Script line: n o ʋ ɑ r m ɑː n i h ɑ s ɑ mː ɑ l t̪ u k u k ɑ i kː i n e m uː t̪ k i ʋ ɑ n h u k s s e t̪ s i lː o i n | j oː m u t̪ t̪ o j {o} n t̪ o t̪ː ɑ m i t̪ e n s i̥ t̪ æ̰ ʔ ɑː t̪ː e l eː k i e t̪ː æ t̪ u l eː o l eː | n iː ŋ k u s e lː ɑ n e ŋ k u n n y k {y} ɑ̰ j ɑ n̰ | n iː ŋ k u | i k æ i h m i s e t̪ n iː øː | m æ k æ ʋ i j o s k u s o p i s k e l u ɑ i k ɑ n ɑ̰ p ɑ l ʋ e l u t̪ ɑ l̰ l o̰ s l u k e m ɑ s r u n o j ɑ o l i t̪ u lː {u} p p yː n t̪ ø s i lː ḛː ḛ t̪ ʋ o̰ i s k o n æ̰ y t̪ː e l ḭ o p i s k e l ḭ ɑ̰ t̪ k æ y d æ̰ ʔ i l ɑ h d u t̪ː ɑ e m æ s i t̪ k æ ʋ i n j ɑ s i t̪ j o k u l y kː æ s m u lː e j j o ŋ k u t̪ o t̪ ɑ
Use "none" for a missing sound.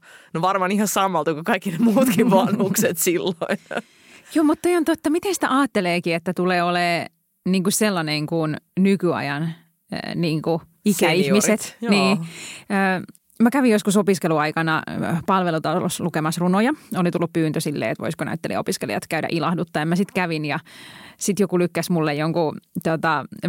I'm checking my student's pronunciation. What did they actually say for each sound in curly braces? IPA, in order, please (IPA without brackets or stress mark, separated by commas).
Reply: o, y, u